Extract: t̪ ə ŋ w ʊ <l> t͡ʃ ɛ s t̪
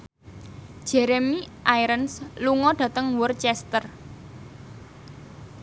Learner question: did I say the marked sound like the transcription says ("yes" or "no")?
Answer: no